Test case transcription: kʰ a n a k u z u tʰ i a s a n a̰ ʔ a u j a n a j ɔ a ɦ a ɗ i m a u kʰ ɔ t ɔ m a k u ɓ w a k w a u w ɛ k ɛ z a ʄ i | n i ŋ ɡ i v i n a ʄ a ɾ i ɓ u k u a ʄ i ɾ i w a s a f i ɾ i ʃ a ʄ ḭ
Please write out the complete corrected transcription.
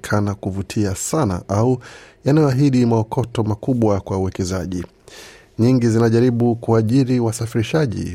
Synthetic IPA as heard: kʰ a n a k u v u tʰ i a s a n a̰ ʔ a u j a n a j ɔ a ɦ i ɗ i m a ɔ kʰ ɔ t ɔ m a k u ɓ w a k w a u w ɛ k ɛ z a ʄ i | ɲ i ŋ ɡ i z i n a ʄ a ɾ i ɓ u k u a ʄ i ɾ i w a s a f i ɾ i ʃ a ʄ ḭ